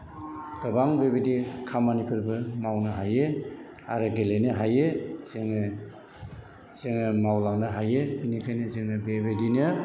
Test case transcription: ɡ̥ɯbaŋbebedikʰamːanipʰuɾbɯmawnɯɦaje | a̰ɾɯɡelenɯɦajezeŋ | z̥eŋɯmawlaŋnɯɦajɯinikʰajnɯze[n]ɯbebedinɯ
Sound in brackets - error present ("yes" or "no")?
yes